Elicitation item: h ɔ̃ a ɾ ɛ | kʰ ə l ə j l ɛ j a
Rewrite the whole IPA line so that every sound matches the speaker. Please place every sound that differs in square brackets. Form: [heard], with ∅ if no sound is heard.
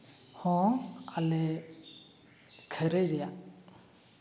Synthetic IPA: h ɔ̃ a [l] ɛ | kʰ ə [ɾ] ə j [ɾ] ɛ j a